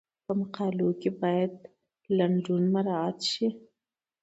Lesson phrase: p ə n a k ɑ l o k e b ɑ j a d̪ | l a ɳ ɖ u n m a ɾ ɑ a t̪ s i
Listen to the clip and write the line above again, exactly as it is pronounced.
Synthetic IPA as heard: p ə m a q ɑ l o k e b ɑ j a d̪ | l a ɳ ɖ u n m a ɾ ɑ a t̪ ʃ i